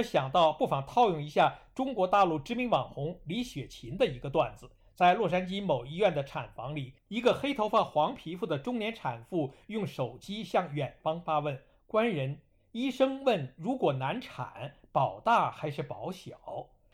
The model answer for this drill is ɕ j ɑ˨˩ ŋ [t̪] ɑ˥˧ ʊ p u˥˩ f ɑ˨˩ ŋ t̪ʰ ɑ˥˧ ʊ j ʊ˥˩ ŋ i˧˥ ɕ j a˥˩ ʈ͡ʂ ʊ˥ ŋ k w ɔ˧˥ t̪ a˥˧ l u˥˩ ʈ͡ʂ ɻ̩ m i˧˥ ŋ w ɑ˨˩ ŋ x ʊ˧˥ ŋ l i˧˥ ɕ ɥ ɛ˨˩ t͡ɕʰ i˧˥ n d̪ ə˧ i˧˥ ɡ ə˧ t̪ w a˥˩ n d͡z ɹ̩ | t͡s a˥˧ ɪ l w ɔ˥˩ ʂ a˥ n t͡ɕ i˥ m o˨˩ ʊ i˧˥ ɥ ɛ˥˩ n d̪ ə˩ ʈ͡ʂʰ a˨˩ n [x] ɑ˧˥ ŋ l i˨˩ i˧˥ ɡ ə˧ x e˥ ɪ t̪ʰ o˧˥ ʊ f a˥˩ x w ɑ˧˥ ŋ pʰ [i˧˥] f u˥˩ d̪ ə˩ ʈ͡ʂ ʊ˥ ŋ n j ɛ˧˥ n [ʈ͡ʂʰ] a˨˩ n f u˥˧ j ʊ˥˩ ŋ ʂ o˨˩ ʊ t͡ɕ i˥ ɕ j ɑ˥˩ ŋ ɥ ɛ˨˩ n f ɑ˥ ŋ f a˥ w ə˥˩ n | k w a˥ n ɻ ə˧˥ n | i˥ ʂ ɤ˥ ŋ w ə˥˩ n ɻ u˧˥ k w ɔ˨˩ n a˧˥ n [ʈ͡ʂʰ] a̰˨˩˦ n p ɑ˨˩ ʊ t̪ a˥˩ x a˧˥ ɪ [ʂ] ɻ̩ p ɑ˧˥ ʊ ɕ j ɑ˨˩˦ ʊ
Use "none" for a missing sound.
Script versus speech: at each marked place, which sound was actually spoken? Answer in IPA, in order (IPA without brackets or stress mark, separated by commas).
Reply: t̪, f, i˧˥, ʈ͡ʂʰ, ʈ͡ʂʰ, ʂ